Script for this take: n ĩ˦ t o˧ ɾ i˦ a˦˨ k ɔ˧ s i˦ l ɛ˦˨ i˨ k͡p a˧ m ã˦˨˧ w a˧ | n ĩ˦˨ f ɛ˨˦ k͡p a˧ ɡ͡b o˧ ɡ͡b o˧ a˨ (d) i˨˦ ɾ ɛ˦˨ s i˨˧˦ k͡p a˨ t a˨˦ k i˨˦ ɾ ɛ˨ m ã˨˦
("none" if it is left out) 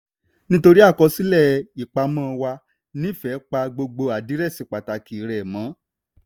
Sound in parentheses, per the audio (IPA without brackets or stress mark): d